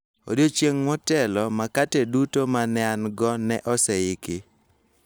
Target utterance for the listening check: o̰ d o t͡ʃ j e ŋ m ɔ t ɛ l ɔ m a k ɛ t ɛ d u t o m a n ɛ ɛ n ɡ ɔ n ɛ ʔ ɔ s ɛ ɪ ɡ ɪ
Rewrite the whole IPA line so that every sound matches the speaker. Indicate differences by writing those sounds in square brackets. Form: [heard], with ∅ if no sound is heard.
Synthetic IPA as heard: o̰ d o t͡ʃ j e ŋ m ɔ t ɛ l ɔ m a k [a] t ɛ d u t o m a n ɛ [a] n ɡ ɔ n ɛ ʔ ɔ s ɛ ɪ [k] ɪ